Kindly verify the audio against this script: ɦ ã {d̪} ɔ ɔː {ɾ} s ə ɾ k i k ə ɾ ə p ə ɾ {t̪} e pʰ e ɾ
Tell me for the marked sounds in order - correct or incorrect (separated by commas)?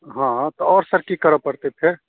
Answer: incorrect, correct, correct